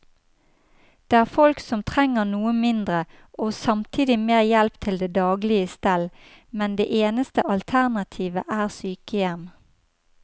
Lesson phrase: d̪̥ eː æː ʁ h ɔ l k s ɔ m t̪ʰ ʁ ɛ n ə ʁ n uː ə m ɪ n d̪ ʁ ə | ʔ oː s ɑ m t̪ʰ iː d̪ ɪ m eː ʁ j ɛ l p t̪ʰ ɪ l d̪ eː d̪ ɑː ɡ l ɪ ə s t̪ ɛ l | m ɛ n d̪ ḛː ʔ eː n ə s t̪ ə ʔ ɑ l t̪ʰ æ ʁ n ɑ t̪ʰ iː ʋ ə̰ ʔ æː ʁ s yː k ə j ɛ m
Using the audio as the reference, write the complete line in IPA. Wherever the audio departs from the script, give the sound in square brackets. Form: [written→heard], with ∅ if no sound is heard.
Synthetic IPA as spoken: d̪̥ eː æː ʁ [h→f] ɔ l k s ɔ m t̪ʰ ʁ ɛ [n→ŋ] ə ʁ n uː ə m ɪ n d̪ ʁ ə | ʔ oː s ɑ m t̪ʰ iː d̪ ɪ m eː ʁ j ɛ l p t̪ʰ ɪ l d̪ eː d̪ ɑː ɡ l ɪ ə s t̪ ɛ l | m ɛ n d̪ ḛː ʔ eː n ə s t̪ ə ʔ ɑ l t̪ʰ æ ʁ n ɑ t̪ʰ iː ʋ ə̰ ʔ æː ʁ s yː k ə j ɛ m

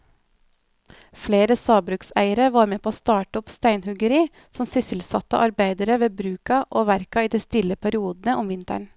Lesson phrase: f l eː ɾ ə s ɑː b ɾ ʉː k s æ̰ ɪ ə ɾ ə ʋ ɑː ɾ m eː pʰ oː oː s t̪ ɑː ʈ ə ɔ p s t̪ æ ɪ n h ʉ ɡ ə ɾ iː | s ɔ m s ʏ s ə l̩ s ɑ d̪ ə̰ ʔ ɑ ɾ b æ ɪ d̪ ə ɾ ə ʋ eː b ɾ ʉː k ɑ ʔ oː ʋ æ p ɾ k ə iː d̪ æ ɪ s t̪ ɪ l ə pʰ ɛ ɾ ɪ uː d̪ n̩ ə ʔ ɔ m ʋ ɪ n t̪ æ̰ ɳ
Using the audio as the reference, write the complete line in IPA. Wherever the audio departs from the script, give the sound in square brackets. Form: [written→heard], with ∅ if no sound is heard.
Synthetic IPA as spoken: f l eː ɾ ə s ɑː b ɾ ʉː k s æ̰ ɪ ə ɾ ə ʋ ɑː ɾ m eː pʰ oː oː s t̪ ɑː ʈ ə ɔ p s t̪ æ ɪ n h ʉ ɡ ə ɾ iː | s ɔ m s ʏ s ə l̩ s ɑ [d̪→t̪] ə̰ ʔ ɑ ɾ b æ ɪ d̪ ə ɾ ə ʋ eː b ɾ ʉː k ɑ ʔ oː ʋ æ [p→∅] ɾ k [ə→ɑ] iː d̪ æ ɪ s t̪ ɪ l ə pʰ [ɛ→æ] ɾ ɪ uː d̪ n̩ ə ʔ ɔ m ʋ ɪ n t̪ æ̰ ɳ

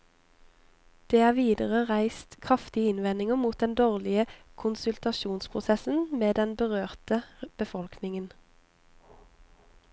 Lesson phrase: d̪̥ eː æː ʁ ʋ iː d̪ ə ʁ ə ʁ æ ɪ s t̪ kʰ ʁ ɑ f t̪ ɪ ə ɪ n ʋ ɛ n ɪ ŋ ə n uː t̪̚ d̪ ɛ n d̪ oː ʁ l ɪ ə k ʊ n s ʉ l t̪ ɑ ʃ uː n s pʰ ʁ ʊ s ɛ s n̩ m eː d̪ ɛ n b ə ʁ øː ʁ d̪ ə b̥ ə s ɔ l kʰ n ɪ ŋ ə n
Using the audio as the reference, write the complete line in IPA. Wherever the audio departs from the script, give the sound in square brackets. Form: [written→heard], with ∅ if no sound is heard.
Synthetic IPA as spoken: d̪̥ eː æː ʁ ʋ iː d̪ ə ʁ ə ʁ æ ɪ s t̪ kʰ ʁ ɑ f t̪ ɪ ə ɪ n ʋ ɛ n ɪ ŋ ə [n→m] uː t̪̚ d̪ ɛ n d̪ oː ʁ l ɪ ə [k→kʰ] ʊ n s ʉ l t̪ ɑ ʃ uː n s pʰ ʁ ʊ s ɛ s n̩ m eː d̪ ɛ n b ə ʁ øː ʁ [d̪→t̪] ə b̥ ə [s→f] ɔ l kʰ n ɪ ŋ ə n

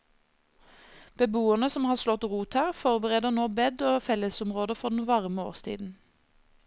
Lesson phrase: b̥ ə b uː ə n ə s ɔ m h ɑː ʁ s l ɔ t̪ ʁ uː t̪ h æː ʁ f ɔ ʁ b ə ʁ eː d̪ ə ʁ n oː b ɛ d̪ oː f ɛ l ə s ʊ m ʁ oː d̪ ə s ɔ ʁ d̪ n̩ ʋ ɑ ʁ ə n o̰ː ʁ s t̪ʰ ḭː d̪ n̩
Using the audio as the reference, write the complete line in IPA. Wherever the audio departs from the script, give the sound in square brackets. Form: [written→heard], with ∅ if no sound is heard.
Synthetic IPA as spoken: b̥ ə b uː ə n ə s ɔ m h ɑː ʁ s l ɔ t̪ ʁ uː t̪ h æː ʁ f ɔ ʁ b ə ʁ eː d̪ ə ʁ n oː b ɛ d̪ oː f ɛ l ə s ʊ m ʁ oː d̪ ə [s→f] ɔ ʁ d̪ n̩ ʋ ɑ ʁ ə [n→m] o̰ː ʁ s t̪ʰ ḭː d̪ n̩

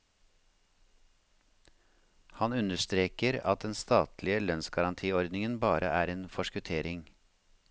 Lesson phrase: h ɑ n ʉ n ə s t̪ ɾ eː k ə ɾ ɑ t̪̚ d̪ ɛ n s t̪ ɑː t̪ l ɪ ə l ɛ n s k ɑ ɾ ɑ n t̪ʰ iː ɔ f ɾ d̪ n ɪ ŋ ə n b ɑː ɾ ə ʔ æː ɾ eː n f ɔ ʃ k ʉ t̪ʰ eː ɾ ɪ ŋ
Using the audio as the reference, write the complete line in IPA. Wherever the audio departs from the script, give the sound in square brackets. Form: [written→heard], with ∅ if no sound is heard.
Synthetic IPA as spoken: h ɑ n ʉ n ə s t̪ ɾ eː k ə ɾ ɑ t̪̚ d̪ ɛ n s t̪ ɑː t̪ l ɪ ə l [ɛ→œ] n s [k→ɡ] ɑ ɾ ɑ n t̪ʰ iː ɔ [f→∅] ɾ d̪ n ɪ ŋ ə n b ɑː ɾ ə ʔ æː ɾ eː n f ɔ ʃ k ʉ t̪ʰ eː ɾ ɪ ŋ

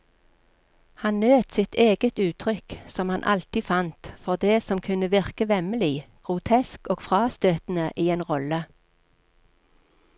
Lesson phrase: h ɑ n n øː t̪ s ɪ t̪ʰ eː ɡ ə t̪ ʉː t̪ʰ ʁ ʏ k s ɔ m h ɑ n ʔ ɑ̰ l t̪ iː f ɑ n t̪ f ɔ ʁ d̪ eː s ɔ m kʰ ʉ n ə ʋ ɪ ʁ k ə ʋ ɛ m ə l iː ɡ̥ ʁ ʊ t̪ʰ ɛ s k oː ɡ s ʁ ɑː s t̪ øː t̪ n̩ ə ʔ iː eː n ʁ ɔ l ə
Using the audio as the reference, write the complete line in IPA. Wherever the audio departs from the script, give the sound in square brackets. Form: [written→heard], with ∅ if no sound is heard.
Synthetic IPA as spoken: h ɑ n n øː t̪ s ɪ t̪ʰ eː ɡ ə t̪ ʉː t̪ʰ ʁ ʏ k s ɔ m h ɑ n ʔ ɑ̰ l t̪ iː f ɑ n t̪ f ɔ ʁ d̪ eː s ɔ m kʰ ʉ n ə ʋ ɪ ʁ k ə ʋ ɛ m ə l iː ɡ̥ ʁ ʊ t̪ʰ ɛ s k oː ɡ [s→f] ʁ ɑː s t̪ øː t̪ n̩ ə ʔ iː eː n ʁ ɔ l ə

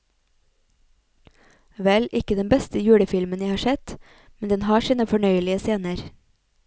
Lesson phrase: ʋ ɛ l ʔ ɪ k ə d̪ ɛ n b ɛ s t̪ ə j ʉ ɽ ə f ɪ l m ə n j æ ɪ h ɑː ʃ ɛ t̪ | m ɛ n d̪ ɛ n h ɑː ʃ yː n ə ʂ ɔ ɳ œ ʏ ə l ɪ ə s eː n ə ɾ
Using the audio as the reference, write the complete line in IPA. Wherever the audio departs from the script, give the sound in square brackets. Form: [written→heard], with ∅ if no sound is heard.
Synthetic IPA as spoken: ʋ ɛ l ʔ ɪ k ə d̪ ɛ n b ɛ s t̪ ə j [ʉ→ʉː] ɽ ə f ɪ l m ə n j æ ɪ h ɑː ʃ ɛ t̪ | m ɛ n d̪ ɛ n h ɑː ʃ [yː→iː] n ə [ʂ→f] ɔ ɳ œ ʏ ə l ɪ ə s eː n ə ɾ

